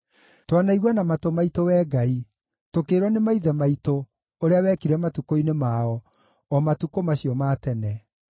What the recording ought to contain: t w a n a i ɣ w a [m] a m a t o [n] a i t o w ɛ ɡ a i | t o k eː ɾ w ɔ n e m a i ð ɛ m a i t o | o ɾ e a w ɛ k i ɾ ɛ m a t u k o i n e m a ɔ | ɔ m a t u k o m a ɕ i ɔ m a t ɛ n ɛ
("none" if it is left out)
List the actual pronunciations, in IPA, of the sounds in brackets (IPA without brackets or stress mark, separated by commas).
n, m